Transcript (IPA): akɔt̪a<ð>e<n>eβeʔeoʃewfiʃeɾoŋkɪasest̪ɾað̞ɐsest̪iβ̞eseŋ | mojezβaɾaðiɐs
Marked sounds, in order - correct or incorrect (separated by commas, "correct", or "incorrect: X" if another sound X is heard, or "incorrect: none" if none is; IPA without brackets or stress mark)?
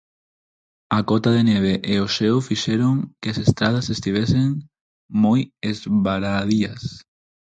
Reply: correct, correct